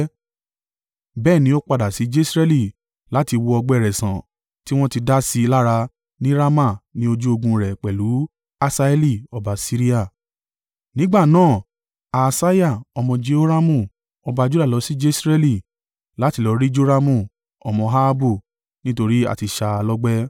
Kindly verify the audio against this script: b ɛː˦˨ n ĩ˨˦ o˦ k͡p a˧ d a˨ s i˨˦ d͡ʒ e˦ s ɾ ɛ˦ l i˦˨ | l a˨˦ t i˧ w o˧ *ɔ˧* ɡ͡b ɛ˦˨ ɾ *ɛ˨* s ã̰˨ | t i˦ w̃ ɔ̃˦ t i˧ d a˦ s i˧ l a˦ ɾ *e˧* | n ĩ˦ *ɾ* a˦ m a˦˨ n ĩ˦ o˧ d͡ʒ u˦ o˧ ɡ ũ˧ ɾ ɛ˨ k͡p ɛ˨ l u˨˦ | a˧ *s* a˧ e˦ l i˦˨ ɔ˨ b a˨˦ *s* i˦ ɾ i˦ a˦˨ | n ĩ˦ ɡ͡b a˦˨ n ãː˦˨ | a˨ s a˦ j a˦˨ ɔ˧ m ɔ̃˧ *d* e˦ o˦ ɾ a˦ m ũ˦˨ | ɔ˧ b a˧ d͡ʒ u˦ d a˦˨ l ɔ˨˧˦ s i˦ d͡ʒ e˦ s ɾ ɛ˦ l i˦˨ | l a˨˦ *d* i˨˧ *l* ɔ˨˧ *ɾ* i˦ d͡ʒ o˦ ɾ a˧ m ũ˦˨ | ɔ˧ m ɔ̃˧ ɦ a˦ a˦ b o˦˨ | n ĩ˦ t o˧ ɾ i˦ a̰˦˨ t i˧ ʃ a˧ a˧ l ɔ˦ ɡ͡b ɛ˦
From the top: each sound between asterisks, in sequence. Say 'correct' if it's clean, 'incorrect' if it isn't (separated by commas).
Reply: correct, correct, incorrect, correct, correct, correct, incorrect, incorrect, correct, correct